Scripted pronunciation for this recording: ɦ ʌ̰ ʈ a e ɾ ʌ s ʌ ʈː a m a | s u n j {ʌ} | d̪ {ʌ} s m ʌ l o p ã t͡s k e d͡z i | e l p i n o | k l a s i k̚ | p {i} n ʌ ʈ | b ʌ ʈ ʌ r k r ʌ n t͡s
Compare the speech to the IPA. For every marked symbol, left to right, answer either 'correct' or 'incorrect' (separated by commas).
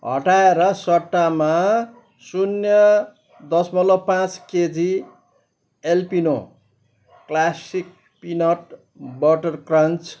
correct, correct, correct